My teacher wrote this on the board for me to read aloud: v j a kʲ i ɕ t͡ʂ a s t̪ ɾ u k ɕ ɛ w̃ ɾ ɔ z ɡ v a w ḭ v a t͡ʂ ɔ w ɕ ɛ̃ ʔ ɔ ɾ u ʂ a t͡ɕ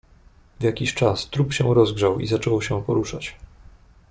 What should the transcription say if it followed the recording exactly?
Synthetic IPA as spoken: v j a kʲ i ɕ t͡ʂ a s t̪ ɾ u p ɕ ɛ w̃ ɾ ɔ z ɡ ʐ a w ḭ z a t͡ʂ ɔ w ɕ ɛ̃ p ɔ ɾ u ʂ a t͡ɕ